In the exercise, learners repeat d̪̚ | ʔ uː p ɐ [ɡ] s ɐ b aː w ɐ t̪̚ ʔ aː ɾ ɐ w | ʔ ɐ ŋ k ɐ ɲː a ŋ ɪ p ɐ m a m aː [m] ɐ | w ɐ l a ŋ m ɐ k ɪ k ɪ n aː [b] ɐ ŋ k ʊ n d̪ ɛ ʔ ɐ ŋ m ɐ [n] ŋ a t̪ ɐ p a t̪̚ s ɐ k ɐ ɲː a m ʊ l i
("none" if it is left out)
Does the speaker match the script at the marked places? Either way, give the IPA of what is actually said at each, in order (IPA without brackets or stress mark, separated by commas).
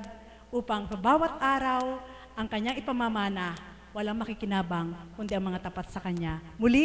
ŋ, n, b, none